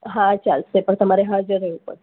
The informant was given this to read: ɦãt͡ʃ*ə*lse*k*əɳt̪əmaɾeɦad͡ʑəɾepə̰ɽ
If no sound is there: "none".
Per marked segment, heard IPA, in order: a, p

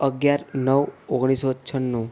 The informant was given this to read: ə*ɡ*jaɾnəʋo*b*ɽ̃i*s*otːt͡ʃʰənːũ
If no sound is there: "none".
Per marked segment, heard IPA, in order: ɡ, ɡ, s

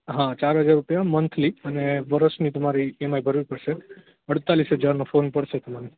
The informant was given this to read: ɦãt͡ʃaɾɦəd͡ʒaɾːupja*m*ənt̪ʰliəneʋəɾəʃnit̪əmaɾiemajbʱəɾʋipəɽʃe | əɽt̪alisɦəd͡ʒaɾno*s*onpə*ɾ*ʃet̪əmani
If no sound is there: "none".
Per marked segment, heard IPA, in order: m, f, ɽ

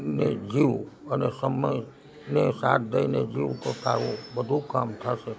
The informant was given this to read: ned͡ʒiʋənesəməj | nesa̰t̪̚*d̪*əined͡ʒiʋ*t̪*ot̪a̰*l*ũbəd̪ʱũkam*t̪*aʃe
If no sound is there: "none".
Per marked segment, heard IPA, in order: d̪, t̪, ɾ, t̪ʰ

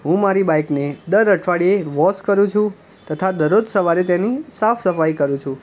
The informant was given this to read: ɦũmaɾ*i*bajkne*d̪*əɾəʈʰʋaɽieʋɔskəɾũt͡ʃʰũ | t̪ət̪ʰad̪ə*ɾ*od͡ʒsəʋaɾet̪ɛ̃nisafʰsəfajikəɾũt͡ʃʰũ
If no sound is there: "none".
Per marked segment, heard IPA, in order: i, d̪, ɾ

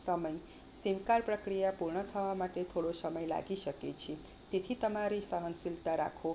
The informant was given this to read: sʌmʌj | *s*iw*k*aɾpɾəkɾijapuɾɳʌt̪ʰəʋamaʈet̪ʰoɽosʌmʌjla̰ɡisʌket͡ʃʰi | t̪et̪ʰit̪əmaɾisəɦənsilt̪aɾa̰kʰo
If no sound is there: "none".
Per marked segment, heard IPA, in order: s, k

